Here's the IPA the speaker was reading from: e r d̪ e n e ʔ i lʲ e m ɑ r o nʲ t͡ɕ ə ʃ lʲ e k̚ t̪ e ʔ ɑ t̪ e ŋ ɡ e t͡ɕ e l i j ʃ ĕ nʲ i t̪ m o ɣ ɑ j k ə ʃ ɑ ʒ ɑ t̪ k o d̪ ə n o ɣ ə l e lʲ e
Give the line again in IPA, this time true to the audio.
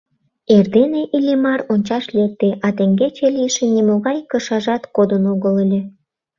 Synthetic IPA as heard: e r d̪ e n e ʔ i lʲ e m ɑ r o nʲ t͡ɕ ɑ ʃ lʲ e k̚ t̪ e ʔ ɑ t̪ e ŋ ɡ e t͡ɕ e l i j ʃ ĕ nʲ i m o ɣ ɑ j k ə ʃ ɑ ʒ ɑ t̪ k o d̪ ə n o ɣ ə l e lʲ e

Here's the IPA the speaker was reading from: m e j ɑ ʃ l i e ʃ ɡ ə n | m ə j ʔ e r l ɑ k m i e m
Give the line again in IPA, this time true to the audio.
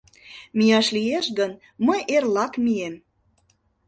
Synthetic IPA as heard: m i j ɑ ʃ l i e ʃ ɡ ə n | m ə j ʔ e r l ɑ k m i e m

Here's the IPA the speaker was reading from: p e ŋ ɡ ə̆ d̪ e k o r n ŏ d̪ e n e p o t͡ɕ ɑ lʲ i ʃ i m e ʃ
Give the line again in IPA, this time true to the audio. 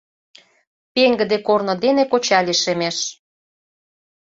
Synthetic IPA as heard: p e ŋ ɡ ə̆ d̪ e k o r n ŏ d̪ e n e k o t͡ɕ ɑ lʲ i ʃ e m e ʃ

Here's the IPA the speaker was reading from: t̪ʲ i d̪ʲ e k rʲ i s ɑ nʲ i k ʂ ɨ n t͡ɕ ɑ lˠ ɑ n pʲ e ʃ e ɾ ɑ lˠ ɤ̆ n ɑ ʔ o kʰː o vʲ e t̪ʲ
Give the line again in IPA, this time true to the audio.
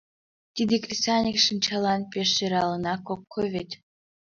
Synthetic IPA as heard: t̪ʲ i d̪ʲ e k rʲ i s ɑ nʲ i k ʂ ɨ n t͡ɕ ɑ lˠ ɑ n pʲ e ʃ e ɾ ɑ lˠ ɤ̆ n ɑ k o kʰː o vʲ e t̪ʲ

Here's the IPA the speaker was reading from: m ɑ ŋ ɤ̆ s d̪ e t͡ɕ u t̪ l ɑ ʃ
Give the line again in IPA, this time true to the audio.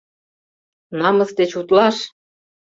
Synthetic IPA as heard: n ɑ m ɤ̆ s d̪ e t͡ɕ u t̪ l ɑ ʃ

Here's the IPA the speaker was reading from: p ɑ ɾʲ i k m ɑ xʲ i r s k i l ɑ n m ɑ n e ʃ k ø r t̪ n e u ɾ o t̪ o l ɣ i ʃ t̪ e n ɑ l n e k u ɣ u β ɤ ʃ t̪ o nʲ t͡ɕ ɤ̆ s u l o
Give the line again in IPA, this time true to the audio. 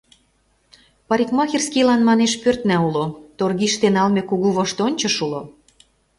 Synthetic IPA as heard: p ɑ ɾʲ i k m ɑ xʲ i r s k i l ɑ n m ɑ n e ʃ p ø r t̪ n æ u l o t̪ o r ɣ i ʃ t̪ e n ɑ l m e k u ɣ u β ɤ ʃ t̪ o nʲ t͡ɕ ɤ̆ ʃ u l o

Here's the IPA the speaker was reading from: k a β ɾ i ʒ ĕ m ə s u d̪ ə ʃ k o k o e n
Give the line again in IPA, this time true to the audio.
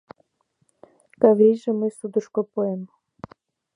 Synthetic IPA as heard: k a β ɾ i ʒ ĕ m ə s u d̪ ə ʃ k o p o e m

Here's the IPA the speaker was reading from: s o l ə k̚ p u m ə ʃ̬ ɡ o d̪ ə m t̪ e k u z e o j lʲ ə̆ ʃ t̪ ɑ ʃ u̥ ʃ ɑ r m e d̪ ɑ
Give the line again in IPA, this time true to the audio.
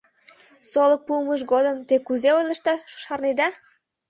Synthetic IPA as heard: s o l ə k̚ p u m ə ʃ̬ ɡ o d̪ ə m t̪ e k u z e o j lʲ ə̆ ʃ t̪ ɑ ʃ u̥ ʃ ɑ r n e d̪ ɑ

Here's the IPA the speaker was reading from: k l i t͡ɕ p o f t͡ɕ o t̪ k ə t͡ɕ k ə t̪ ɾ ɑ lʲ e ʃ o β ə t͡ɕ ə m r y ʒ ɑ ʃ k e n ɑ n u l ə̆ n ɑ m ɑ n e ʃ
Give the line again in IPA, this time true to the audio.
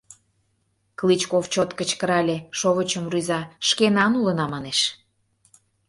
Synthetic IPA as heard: k l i t͡ɕ k o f t͡ɕ o t̪ k ə t͡ɕ k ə ɾ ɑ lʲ e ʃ o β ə t͡ɕ ə m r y z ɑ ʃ k e n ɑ n u l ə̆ n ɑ m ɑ n e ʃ

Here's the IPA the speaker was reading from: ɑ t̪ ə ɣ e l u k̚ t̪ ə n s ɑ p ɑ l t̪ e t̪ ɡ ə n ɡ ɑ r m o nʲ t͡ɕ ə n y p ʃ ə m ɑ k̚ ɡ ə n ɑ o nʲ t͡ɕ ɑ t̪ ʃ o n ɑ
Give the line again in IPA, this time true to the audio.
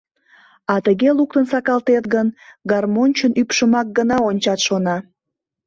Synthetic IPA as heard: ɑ t̪ ə ɣ e l u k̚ t̪ ə n s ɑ k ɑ l t̪ e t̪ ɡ ə n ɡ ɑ r m o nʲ t͡ɕ ə n y p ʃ ə m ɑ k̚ ɡ ə n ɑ o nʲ t͡ɕ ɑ t̪ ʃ o n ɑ

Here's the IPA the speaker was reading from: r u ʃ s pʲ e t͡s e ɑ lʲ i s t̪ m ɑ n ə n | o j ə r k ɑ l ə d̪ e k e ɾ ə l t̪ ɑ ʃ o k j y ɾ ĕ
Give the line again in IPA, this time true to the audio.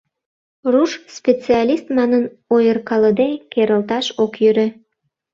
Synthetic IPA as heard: r u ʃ s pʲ e t͡s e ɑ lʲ i s t̪ m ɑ n ə n | o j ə r k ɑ l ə d̪ e k e ɾ ə l t̪ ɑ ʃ o k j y ɾ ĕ

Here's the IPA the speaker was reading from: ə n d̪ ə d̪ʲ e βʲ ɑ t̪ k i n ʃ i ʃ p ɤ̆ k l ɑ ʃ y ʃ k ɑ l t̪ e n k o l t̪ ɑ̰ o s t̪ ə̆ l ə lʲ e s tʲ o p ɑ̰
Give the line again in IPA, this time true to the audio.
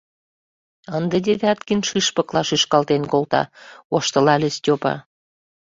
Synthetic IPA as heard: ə n d̪ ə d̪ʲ e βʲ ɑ t̪ k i n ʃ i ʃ p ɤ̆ k l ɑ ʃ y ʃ k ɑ l t̪ e n k o l t̪ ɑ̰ o ʃ t̪ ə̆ l ɑ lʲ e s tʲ o p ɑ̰

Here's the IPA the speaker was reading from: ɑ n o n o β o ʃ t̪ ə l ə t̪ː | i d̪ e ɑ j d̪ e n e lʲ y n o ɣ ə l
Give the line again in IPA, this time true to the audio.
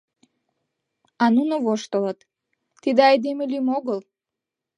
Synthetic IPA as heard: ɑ n u n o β o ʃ t̪ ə l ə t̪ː | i d̪ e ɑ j d̪ e m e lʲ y m o ɣ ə l

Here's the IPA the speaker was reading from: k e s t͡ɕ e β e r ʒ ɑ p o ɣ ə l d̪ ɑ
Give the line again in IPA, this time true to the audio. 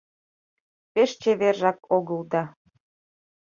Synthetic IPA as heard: p e ʃ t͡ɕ e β e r ʒ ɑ k o ɣ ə l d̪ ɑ

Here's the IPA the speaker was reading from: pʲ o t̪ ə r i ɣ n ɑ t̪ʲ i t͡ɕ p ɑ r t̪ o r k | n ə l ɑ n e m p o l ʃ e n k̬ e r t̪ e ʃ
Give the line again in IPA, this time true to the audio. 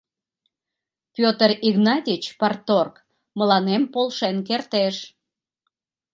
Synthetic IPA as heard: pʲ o t̪ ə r i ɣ n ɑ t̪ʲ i t͡ɕ p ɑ r t̪ o r k | m ə l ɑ n e m p o l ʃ e n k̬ e r t̪ e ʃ

